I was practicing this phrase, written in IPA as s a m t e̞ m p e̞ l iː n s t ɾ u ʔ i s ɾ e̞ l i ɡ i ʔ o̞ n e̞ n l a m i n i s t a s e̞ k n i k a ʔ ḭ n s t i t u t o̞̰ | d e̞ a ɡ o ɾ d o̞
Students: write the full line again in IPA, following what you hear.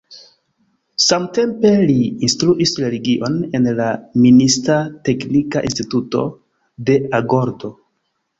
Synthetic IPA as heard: s a m t e̞ m p e̞ l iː n s t ɾ u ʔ i s ɾ e̞ l i ɡ i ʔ o̞ n e̞ n l a m i n i s t a t e̞ k n i k a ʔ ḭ n s t i t u t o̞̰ | d e̞ a ɡ o ɾ d o̞